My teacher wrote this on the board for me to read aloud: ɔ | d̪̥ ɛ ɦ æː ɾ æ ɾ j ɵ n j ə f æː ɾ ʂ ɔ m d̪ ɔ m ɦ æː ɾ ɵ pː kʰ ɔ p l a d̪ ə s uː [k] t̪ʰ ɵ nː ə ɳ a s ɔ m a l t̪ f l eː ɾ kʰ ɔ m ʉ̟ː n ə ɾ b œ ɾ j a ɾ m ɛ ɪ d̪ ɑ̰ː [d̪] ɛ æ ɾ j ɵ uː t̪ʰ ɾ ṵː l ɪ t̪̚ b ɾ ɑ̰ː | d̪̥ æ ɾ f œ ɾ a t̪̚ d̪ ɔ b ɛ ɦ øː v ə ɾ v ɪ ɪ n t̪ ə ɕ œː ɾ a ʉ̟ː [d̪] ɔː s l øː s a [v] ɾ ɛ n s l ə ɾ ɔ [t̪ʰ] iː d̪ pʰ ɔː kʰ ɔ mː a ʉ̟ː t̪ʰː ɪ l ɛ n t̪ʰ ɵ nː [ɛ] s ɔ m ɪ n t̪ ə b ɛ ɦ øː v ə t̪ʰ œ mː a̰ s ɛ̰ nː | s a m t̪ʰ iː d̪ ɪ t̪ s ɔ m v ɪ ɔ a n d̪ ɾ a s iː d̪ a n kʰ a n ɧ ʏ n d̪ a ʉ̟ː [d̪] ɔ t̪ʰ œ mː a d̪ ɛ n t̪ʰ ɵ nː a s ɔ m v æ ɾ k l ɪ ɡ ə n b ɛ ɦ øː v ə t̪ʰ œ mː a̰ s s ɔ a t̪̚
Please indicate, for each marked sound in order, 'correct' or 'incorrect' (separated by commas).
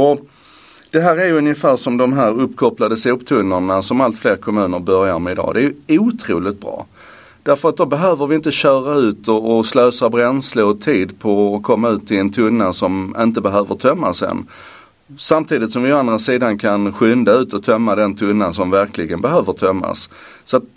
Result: incorrect, correct, incorrect, incorrect, correct, incorrect, incorrect